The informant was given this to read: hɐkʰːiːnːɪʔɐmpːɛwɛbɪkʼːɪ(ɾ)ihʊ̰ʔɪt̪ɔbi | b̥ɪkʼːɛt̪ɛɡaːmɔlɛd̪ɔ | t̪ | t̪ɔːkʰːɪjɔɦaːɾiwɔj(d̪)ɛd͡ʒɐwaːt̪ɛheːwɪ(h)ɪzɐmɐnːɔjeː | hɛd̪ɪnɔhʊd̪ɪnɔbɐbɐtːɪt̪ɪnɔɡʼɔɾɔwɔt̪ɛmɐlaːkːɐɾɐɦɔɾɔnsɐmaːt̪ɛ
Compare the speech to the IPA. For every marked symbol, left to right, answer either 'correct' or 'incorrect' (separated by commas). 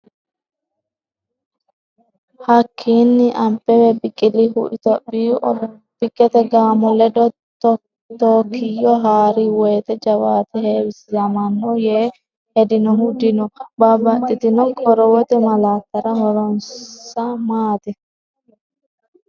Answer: incorrect, incorrect, incorrect